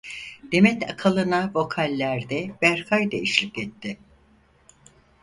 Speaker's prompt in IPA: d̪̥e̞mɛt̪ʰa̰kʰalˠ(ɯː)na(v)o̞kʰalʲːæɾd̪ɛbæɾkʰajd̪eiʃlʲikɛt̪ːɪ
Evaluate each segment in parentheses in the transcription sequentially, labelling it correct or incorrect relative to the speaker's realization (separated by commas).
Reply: incorrect, correct